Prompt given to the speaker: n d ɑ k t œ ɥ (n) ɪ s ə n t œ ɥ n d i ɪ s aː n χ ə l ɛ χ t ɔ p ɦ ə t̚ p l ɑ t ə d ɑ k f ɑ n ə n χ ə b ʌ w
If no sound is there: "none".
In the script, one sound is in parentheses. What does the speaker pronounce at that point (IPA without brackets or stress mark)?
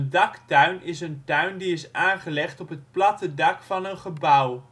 n